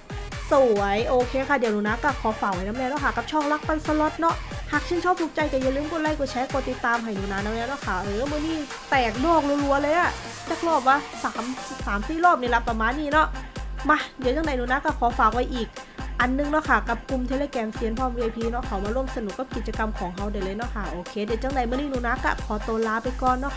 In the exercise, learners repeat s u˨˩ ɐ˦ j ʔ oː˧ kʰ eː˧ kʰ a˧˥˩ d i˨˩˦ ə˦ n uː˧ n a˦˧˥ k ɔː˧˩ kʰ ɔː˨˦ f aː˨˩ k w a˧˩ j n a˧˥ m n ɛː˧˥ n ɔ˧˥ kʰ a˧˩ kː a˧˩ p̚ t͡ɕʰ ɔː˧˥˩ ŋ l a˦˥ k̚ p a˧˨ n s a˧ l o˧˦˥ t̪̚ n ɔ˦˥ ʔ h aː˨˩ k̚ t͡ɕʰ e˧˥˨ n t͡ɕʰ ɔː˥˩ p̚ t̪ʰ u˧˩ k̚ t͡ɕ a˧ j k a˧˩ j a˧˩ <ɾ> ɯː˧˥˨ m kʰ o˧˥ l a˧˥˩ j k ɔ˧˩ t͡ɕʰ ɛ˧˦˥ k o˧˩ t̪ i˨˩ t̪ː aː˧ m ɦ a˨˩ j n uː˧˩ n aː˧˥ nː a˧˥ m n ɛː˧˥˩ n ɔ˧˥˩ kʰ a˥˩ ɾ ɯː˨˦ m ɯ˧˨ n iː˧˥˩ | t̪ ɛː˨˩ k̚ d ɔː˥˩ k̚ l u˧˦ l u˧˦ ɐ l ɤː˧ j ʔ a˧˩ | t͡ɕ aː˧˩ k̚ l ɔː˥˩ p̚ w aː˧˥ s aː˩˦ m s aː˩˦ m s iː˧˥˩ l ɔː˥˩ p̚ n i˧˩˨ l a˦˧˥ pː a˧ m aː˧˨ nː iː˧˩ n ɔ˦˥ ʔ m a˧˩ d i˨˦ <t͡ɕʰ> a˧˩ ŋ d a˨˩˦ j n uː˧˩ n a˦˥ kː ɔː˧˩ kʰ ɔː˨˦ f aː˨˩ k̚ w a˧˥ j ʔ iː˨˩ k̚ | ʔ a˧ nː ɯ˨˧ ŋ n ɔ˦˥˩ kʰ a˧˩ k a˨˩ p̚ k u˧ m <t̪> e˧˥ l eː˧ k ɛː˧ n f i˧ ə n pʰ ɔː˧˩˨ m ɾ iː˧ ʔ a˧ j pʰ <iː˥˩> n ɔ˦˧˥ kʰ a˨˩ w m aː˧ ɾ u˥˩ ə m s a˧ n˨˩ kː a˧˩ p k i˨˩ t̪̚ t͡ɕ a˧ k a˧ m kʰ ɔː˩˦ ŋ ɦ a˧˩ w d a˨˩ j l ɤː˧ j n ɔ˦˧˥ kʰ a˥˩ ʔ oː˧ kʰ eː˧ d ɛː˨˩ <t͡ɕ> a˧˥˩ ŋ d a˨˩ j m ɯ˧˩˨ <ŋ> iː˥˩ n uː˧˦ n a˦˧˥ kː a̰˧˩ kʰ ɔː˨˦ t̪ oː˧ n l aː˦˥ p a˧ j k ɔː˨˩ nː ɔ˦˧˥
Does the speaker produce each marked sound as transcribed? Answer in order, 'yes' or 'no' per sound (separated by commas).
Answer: no, no, no, no, yes, no